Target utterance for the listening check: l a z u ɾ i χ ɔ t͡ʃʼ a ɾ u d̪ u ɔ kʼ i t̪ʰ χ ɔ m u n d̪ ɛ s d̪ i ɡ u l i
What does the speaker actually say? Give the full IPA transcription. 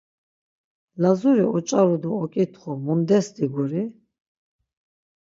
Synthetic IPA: l a z u ɾ i ɔ t͡ʃʼ a ɾ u d̪ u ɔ kʼ i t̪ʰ χ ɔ m u n d̪ ɛ s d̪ i ɡ u ɾ i